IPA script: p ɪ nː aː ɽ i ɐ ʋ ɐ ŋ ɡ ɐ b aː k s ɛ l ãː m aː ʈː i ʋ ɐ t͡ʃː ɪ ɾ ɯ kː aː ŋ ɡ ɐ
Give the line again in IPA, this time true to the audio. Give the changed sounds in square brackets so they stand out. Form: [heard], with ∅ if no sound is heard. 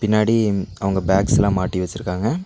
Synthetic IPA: p ɪ nː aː ɽ i ɐ ʋ ɐ ŋ ɡ ɐ b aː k s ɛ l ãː m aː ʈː i ʋ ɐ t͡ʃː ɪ ɾ ɯ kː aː ŋ ɡ ɐ